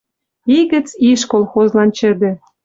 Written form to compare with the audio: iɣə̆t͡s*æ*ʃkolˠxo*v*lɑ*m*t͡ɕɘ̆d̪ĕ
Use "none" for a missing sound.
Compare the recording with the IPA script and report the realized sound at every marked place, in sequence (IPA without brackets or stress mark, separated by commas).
i, z, n